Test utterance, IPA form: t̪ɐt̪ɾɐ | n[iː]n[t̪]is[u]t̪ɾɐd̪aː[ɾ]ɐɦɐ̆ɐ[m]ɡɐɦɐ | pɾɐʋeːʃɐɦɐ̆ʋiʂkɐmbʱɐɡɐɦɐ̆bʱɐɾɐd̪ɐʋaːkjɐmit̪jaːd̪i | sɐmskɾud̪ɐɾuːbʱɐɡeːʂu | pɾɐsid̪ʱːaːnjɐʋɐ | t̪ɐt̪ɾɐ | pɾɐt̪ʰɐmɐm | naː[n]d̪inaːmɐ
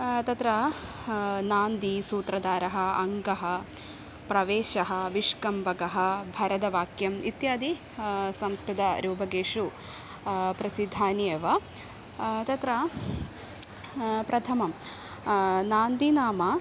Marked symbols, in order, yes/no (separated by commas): no, no, no, yes, no, yes